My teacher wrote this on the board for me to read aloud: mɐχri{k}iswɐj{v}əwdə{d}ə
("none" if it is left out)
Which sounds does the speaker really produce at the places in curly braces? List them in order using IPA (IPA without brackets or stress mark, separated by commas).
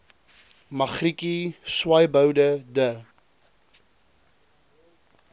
k, b, d